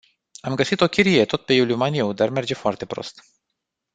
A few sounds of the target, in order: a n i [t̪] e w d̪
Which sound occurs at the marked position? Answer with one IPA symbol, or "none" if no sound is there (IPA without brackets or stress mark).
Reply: none